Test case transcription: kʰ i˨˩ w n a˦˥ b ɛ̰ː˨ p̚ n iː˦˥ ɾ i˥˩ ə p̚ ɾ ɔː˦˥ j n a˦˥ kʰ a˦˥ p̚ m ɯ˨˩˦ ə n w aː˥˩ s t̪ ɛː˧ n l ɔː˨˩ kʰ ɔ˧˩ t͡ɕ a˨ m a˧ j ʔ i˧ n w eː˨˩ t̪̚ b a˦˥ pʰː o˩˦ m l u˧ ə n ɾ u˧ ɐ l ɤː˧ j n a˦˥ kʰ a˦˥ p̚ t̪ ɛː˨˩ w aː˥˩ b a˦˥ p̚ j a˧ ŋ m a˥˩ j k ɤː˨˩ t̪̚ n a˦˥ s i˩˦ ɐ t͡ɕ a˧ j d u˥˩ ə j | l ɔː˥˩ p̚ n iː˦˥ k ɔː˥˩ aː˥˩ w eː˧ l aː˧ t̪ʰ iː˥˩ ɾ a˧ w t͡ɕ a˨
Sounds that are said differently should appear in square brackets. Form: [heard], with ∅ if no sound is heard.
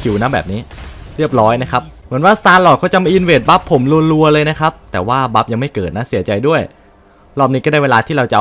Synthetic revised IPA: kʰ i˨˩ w n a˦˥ b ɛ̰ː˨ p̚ n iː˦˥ ɾ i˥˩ ə p̚ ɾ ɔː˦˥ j n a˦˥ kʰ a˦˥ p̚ m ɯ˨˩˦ ə n w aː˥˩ s t̪ [aː˧] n l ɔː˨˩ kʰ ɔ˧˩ t͡ɕ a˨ m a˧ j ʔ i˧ n w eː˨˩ t̪̚ b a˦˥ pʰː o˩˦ m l u˧ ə n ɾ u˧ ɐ l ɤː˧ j n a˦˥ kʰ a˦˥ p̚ t̪ ɛː˨˩ w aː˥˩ b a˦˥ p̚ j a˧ ŋ m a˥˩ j k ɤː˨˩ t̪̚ n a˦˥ s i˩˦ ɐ t͡ɕ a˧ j d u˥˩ ə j | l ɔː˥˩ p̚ n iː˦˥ k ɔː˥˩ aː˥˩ w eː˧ l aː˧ t̪ʰ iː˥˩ ɾ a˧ w t͡ɕ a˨

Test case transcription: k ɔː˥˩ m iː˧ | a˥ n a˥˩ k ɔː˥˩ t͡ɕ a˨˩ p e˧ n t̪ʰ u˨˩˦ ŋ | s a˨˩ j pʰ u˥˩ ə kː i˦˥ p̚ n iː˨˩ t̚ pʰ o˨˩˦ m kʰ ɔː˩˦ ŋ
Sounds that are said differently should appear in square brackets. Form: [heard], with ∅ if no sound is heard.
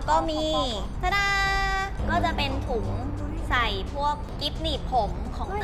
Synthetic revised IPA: k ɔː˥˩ m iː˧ | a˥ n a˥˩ k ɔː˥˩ t͡ɕ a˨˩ p e˧ n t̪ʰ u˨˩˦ ŋ | s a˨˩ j pʰ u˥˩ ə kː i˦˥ p̚ n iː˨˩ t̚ pʰ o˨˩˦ m kʰ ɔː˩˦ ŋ

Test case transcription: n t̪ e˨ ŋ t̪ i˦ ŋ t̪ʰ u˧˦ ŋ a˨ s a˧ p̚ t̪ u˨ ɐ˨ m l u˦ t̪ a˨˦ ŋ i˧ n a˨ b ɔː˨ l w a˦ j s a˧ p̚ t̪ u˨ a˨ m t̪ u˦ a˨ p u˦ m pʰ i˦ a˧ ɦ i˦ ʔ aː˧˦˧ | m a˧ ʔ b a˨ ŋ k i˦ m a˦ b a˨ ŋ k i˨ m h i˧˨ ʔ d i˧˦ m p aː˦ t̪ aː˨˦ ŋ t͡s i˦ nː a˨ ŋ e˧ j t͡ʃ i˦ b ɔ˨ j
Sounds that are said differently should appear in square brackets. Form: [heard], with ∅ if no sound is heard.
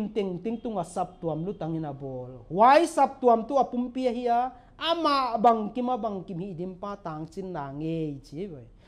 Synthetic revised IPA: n t̪ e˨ ŋ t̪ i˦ ŋ [t̪] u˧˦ ŋ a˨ s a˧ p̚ t̪ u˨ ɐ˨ m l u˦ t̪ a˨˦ ŋ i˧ n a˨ b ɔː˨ l w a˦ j s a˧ p̚ t̪ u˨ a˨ m t̪ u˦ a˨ p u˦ m [p] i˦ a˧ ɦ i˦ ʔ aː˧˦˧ | m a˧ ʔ b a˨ ŋ k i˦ m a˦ b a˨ ŋ k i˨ m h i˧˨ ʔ d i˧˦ m p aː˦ t̪ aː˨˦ ŋ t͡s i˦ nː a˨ ŋ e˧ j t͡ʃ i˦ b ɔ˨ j

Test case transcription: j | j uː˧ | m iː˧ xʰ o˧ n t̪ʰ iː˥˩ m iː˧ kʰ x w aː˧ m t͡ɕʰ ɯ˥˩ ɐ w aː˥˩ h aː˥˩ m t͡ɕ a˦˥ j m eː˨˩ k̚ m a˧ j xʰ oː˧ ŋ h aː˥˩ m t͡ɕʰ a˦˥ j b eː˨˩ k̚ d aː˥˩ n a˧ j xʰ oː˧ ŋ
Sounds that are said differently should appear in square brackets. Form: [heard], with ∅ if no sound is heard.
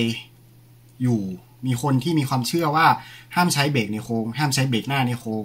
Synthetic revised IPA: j | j [uː˨˩] | m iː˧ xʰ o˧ n t̪ʰ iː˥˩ m iː˧ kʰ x w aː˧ m t͡ɕʰ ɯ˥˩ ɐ w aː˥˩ h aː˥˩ m [t͡ɕʰ] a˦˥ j [b] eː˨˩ k̚ [n] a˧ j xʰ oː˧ ŋ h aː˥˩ m t͡ɕʰ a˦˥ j b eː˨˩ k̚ [n] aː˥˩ n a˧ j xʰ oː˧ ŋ

